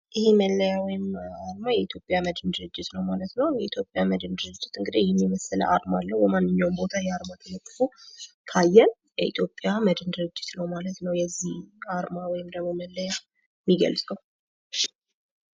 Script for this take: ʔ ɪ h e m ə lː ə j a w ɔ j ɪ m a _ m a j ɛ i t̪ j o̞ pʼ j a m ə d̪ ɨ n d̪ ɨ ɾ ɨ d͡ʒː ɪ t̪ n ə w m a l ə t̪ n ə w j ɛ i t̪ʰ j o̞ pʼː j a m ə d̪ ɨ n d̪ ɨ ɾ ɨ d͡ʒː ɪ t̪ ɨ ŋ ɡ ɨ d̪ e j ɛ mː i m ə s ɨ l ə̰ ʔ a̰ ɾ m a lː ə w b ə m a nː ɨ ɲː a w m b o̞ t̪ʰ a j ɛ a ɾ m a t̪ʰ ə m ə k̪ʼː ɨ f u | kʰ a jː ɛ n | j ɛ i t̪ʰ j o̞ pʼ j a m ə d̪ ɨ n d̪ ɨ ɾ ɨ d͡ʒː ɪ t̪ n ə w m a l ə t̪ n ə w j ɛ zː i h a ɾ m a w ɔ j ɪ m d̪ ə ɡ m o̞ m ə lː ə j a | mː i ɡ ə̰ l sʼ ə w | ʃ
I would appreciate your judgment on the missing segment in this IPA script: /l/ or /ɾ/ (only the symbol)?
ɾ